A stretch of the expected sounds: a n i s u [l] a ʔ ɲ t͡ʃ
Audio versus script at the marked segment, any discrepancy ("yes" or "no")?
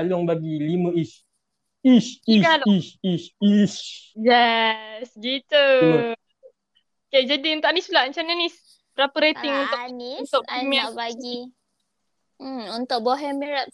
no